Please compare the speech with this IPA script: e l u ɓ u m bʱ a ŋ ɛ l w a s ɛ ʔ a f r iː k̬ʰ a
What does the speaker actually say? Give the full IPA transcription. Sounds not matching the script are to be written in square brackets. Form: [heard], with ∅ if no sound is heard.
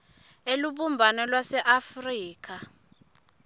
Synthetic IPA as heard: e l u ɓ u m bʱ a [n] ɛ l w a s ɛ ʔ a f r iː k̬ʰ a